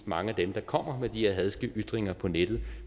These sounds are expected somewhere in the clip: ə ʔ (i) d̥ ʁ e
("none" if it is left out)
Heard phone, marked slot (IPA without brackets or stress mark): y